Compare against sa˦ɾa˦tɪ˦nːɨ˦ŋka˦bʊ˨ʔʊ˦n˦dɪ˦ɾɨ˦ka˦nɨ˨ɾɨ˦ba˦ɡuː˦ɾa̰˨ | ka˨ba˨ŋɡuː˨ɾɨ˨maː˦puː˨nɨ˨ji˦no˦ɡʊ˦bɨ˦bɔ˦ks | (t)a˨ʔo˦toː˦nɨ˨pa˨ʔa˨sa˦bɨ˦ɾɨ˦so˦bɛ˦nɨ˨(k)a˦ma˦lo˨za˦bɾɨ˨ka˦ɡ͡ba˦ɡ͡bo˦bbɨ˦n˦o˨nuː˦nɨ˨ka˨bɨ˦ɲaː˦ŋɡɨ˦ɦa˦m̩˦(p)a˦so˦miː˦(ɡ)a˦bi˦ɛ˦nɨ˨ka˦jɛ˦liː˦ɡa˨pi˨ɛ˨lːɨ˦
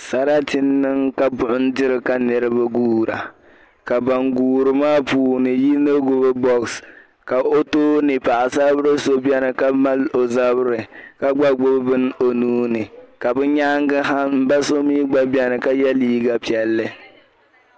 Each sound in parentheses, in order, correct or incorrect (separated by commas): incorrect, correct, incorrect, incorrect